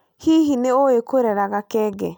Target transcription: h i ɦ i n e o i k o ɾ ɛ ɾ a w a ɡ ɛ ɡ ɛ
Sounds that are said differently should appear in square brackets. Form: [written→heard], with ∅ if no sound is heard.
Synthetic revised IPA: h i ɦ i n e o [i→e] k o ɾ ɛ ɾ a [w→ɣ] a [ɡ→k] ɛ ɡ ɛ